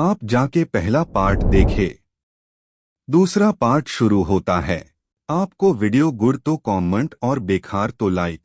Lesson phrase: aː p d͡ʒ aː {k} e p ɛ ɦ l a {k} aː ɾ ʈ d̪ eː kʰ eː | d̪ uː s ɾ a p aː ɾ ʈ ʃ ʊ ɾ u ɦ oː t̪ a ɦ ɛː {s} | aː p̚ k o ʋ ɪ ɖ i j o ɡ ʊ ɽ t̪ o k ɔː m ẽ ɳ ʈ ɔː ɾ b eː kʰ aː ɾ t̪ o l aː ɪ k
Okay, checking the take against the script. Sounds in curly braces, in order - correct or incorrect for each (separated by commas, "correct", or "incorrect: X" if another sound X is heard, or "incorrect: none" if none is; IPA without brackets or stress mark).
correct, incorrect: p, incorrect: none